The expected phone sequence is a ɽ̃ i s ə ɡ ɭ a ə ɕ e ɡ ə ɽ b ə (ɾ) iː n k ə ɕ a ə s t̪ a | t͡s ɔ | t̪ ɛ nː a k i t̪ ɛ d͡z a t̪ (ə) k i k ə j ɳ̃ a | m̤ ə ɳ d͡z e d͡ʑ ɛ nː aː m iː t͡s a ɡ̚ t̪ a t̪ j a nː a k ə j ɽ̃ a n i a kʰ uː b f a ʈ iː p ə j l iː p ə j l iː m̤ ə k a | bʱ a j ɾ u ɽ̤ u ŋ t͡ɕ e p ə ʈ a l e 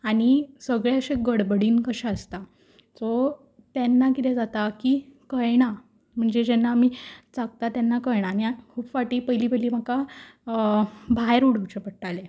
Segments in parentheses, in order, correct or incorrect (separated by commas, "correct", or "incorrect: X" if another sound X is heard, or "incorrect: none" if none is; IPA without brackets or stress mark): incorrect: ɽ, incorrect: a